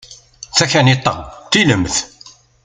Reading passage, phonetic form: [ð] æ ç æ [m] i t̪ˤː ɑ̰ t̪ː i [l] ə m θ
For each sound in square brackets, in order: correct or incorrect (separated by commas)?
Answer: incorrect, incorrect, correct